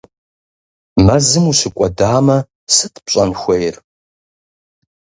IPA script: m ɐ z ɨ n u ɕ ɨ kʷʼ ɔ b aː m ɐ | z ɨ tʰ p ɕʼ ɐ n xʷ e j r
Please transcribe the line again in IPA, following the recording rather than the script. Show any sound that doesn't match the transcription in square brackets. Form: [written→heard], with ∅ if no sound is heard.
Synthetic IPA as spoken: m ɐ z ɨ [n→m] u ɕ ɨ kʷʼ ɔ [b→d] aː m ɐ | [z→s] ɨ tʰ p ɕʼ ɐ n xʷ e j r